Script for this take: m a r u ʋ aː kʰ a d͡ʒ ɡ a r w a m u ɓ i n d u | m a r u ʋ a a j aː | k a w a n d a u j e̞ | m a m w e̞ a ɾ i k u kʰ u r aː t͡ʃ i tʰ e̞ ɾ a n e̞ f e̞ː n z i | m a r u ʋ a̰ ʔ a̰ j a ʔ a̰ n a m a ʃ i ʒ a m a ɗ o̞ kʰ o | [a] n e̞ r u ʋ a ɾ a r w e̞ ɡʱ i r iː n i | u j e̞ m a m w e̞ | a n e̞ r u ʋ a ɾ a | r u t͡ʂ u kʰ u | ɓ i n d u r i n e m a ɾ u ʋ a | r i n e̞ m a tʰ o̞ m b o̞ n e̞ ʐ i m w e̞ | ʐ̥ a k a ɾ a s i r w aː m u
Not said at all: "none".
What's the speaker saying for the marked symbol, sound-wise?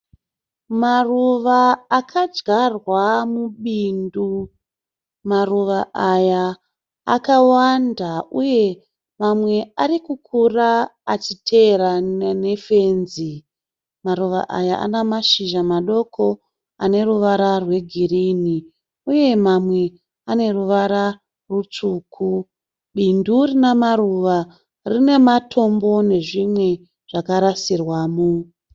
a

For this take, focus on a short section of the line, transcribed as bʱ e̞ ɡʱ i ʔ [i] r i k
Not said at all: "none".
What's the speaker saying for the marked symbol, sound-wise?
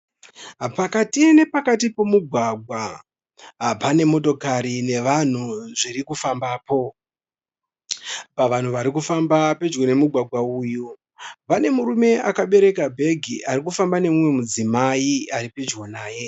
a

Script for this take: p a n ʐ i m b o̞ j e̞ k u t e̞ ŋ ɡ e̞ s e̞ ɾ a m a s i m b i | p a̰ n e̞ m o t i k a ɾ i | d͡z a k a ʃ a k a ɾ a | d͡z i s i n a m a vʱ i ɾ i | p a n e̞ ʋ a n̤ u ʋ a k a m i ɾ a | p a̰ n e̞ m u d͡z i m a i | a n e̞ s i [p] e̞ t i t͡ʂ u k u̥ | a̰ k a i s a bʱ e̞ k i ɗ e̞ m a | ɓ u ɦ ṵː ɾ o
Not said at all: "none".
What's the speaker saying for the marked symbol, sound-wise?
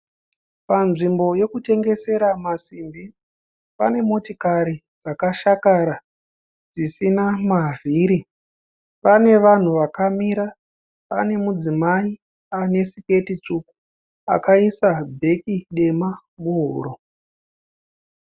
k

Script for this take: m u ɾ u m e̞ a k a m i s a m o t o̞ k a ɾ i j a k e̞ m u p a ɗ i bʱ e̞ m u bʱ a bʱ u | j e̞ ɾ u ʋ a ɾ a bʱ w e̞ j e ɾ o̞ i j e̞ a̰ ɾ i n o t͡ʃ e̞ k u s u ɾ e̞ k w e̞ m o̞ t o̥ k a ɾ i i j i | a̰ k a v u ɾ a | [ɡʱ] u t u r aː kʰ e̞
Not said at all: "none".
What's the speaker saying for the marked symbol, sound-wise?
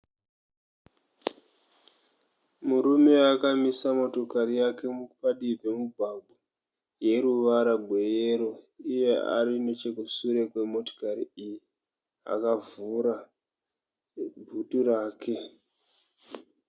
bʱ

